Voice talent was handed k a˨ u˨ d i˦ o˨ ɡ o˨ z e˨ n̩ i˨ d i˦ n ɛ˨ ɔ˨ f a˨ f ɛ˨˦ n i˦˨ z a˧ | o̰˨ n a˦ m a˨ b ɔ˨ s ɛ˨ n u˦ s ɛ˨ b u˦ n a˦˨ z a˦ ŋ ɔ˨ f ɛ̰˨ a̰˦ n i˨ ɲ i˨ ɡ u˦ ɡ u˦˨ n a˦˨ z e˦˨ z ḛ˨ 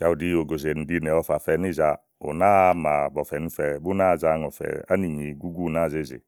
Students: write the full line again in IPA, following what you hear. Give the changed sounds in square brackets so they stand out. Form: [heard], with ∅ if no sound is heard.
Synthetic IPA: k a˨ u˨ d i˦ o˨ ɡ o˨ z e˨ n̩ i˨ d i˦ n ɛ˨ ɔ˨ f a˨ f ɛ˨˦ n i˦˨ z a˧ | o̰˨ n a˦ m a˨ b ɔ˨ [f] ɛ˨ n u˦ [f] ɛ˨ b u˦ n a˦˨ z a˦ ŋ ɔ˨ f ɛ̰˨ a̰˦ n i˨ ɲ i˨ ɡ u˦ ɡ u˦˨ n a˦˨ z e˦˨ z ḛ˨

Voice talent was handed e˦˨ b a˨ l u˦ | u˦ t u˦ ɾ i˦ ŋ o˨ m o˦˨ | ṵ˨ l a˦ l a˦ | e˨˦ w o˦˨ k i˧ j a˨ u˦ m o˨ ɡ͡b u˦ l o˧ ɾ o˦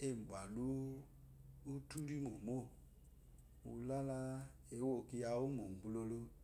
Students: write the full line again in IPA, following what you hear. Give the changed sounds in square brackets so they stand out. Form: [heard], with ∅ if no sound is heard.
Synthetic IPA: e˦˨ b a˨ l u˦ | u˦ t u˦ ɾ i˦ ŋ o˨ m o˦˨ | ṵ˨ l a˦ l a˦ | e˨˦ w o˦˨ k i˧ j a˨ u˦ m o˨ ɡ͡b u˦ l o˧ [l] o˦

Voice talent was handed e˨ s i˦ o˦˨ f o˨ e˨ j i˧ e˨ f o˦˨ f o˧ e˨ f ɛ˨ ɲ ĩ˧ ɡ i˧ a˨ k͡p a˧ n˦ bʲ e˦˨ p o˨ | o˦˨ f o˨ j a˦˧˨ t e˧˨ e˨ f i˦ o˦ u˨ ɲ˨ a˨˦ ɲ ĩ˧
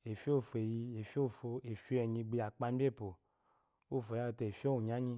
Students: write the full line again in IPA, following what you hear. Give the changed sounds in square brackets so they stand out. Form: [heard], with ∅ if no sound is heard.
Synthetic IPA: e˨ [f] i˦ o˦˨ f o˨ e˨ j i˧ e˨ f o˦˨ f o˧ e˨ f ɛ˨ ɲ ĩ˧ [ɡ͡b] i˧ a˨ k͡p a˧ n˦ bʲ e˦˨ p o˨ | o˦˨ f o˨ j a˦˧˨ t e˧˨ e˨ f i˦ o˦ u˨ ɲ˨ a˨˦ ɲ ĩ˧

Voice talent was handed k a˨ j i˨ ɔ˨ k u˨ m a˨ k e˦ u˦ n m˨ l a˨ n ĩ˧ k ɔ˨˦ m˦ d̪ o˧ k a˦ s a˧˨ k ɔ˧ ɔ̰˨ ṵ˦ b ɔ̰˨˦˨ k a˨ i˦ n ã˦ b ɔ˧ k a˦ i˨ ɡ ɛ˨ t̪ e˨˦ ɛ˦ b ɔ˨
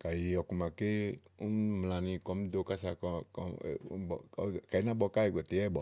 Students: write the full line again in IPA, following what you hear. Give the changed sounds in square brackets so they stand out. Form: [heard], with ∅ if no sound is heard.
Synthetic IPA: k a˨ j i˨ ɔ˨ k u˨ m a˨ k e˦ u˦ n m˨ l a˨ n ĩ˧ k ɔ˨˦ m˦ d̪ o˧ k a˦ s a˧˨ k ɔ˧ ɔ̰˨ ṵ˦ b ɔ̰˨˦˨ k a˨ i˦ n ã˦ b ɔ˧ k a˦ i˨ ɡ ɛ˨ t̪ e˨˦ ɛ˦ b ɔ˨

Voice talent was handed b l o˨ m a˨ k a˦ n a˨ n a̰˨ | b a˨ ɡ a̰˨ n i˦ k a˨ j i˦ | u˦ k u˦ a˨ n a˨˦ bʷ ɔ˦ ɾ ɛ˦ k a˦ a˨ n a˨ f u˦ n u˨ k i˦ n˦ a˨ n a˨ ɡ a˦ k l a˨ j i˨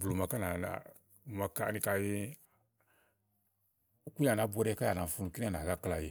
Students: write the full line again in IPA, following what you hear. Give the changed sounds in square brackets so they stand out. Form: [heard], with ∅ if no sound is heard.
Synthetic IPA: b l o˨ m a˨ k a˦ n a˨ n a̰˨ | [m] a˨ [k] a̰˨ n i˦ k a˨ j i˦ | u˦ k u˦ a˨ n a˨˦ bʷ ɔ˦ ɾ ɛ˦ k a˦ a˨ n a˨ f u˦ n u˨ k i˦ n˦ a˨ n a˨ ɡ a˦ k l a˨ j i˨

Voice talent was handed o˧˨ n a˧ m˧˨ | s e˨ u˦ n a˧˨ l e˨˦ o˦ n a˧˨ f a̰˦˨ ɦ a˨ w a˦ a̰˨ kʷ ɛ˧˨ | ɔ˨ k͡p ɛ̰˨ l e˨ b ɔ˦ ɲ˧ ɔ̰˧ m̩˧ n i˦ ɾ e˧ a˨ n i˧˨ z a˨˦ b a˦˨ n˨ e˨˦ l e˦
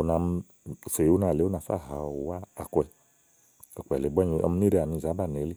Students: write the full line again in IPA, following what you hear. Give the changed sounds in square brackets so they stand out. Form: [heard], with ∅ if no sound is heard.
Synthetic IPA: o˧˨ n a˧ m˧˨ | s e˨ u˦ n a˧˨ l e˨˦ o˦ n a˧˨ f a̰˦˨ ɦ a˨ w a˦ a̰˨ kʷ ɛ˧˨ | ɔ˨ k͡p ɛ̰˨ l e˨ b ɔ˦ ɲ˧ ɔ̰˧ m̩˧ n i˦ ɾ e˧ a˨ n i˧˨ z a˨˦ b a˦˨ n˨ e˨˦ l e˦

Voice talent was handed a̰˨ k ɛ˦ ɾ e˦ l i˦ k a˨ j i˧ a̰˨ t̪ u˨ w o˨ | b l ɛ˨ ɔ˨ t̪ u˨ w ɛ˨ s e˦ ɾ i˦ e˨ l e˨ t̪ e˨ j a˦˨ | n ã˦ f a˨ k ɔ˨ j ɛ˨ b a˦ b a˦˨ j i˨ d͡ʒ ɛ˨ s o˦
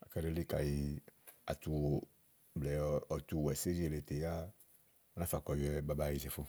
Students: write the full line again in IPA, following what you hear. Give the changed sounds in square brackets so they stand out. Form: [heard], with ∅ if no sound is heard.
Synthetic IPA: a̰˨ k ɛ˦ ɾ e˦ l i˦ k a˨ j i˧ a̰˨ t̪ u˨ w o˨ | b l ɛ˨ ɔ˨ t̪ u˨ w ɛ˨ s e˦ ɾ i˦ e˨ l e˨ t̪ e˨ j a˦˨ | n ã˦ f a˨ k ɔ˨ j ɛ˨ b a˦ b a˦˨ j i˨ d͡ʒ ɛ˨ [f] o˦

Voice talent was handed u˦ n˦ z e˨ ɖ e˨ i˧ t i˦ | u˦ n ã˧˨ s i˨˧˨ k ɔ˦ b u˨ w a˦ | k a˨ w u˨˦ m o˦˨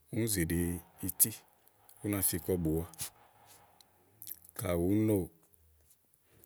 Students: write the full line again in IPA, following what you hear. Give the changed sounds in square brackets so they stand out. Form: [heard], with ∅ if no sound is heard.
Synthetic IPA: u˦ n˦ z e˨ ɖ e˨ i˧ t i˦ | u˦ n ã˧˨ [f] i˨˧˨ k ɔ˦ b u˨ w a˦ | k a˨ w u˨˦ [n] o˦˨

